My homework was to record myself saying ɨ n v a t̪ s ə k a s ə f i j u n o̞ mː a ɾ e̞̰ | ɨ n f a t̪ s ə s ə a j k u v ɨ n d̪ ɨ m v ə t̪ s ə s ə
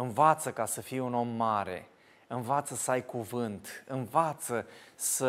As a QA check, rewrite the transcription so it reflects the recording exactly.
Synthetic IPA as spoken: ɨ n v a t̪ s ə k a s ə f i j u n o̞ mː a ɾ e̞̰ | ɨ n v a t̪ s ə s ə a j k u v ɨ n t̪ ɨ n v a t̪ s ə s ə